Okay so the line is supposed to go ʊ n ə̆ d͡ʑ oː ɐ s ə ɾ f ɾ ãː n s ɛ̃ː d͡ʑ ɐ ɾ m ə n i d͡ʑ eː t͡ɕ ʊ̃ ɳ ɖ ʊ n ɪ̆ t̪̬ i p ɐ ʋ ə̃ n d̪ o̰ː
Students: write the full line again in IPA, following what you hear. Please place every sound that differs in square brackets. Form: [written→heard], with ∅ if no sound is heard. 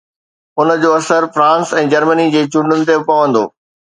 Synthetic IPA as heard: ʊ n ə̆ d͡ʑ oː ɐ s ə ɾ f ɾ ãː n s ɛ̃ː d͡ʑ ɐ ɾ m ə n i d͡ʑ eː t͡ɕ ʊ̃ ɳ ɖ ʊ n ɪ̆ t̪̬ [i→e] p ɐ ʋ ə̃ n d̪ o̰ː

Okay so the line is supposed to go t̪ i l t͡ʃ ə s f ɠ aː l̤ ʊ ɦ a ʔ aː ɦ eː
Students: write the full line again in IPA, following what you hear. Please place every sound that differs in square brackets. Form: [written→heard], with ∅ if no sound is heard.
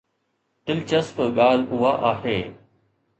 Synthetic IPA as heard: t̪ [i→ɪ] l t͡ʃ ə s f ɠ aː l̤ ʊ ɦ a ʔ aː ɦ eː

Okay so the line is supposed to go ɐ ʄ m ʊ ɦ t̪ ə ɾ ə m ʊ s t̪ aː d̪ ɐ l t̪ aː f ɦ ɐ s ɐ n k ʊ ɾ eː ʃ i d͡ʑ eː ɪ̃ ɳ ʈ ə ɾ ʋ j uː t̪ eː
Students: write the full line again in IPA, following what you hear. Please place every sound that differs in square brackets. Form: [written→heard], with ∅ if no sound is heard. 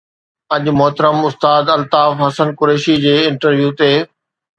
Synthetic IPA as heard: ɐ ʄ m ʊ ɦ t̪ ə ɾ ə m ʊ s t̪ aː d̪ ɐ l t̪ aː f ɦ ɐ s [ɐ→ə] n k ʊ ɾ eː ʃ i d͡ʑ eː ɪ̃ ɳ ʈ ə ɾ ʋ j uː t̪ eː

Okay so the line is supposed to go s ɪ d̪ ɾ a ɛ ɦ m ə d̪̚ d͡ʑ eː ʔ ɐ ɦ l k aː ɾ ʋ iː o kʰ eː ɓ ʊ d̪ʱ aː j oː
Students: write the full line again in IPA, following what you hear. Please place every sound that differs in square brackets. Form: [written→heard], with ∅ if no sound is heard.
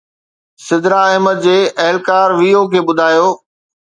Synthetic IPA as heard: s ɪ d̪ ɾ a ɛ ɦ m ə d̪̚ d͡ʑ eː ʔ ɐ ɦ l k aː ɾ ʋ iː o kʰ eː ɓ ʊ d̪ʱ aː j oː

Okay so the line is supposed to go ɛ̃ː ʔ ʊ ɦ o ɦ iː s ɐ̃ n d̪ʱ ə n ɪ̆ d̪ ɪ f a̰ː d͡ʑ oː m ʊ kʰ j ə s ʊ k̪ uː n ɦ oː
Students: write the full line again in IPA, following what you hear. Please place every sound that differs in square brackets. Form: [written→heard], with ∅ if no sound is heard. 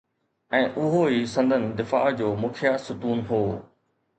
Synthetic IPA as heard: ɛ̃ː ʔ ʊ ɦ o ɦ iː s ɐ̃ n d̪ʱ ə n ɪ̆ d̪ ɪ f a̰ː d͡ʑ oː m ʊ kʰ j [ə→a] s ʊ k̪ uː n ɦ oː

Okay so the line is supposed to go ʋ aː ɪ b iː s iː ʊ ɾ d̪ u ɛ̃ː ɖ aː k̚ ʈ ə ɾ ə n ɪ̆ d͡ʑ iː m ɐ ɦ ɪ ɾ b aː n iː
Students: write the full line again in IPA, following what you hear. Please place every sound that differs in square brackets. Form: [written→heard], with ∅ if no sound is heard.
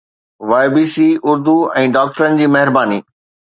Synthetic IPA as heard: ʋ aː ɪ b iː s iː ʊ ɾ d̪ u ɛ̃ː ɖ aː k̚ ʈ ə ɾ ə n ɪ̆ d͡ʑ iː m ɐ ɦ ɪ ɾ b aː n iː

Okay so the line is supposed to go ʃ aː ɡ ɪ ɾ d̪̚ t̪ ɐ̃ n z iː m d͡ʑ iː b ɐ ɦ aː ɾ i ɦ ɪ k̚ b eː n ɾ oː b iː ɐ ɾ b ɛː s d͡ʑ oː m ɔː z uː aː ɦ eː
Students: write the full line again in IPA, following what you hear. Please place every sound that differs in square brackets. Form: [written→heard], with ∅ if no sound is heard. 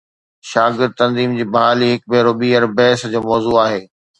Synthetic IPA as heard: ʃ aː ɡ ɪ ɾ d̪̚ t̪ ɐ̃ n z iː m d͡ʑ iː b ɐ ɦ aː [ɾ→l] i ɦ ɪ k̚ b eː [n→∅] ɾ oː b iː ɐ ɾ b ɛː s d͡ʑ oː m ɔː z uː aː ɦ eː

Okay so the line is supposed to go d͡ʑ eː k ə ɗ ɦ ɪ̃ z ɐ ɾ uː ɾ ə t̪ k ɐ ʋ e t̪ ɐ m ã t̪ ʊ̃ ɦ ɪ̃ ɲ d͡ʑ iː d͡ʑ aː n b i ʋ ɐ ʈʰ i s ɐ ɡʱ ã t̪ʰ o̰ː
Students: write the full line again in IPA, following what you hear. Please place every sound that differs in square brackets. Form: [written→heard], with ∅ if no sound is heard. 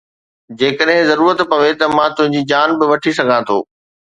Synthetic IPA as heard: d͡ʑ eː k ə ɗ ɦ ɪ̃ z ɐ ɾ uː ɾ ə t̪ [k→p] ɐ ʋ e t̪ ɐ m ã t̪ ʊ̃ ɦ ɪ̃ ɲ d͡ʑ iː d͡ʑ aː n b [i→ɪ] ʋ ɐ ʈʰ i s ɐ ɡʱ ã t̪ʰ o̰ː

